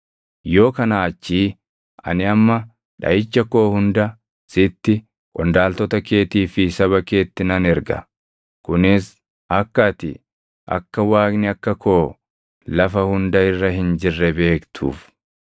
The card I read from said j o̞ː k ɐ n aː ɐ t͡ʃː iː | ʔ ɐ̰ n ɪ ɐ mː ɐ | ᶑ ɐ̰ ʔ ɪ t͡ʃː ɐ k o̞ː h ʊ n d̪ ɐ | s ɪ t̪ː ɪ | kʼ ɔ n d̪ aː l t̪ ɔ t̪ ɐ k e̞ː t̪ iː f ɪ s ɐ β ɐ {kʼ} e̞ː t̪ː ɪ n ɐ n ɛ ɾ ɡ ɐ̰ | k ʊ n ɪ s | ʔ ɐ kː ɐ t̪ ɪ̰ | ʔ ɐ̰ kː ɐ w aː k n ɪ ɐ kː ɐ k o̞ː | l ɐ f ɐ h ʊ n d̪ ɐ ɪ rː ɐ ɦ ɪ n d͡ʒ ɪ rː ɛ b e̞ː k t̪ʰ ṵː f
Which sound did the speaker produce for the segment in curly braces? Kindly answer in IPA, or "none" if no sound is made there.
k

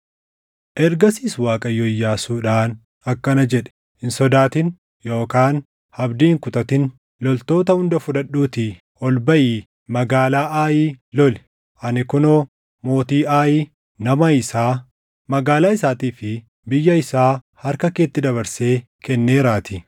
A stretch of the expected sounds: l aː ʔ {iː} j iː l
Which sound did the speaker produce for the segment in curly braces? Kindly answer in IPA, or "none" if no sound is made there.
aː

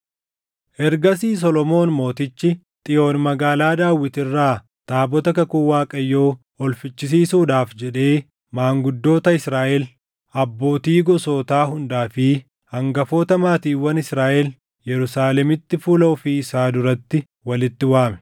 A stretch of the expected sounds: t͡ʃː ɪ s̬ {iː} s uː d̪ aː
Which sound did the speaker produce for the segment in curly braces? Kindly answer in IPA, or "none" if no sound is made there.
iː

